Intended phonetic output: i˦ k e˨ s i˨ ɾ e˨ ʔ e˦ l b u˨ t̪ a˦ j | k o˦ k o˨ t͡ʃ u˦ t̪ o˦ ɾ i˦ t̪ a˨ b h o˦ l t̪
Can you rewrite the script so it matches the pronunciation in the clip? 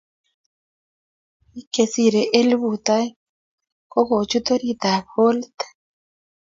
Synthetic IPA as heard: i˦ k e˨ s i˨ ɾ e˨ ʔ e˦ l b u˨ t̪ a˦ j | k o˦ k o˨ t͡ʃ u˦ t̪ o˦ ɾ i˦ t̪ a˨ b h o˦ l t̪